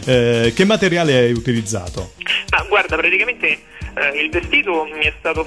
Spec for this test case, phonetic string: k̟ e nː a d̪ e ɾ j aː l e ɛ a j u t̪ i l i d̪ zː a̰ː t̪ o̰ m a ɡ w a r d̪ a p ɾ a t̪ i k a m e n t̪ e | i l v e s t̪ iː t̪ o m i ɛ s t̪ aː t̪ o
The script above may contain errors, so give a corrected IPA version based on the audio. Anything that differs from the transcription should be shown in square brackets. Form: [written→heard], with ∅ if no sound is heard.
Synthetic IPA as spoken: k̟ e [nː→mː] a [d̪→t̪] e ɾ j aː l e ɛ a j u t̪ i l i d̪ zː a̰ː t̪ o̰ m a ɡ w a r d̪ a p ɾ a t̪ i k a m e n t̪ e | i l v e s t̪ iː t̪ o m i ɛ s t̪ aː t̪ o